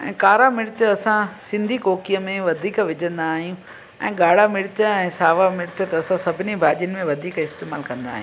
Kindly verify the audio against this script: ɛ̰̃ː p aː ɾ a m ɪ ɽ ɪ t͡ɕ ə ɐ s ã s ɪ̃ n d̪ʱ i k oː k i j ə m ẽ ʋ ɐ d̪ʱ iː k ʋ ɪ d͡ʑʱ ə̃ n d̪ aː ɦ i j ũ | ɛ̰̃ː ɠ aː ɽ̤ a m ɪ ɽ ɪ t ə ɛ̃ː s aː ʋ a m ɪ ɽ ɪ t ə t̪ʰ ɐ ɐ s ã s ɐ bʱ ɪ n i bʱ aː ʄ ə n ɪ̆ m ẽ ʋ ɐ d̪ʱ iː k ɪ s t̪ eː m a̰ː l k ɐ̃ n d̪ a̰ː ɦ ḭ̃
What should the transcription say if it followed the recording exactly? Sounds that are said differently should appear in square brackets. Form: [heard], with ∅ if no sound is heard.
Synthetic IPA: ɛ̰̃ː [k] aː ɾ a m ɪ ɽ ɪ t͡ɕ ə ɐ s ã s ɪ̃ n d̪ʱ i k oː k i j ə m ẽ ʋ ɐ d̪ʱ iː k ʋ ɪ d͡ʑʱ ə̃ n d̪ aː ɦ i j ũ | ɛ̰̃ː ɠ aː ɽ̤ a m ɪ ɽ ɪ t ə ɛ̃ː s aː ʋ a m ɪ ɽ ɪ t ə [t̪] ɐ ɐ s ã s ɐ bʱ ɪ n i bʱ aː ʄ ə n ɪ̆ m ẽ ʋ ɐ d̪ʱ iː k ɪ s t̪ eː m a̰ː l k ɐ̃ n d̪ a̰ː ɦ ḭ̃